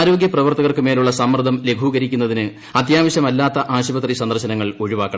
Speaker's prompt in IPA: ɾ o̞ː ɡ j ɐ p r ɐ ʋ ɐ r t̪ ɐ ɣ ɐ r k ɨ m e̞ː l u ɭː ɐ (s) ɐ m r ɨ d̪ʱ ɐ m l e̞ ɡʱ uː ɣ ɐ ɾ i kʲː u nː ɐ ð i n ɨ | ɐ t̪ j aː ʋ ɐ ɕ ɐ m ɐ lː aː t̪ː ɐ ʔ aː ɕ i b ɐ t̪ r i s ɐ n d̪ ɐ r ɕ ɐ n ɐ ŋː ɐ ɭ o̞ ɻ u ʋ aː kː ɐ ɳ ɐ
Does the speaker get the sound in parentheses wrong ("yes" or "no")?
no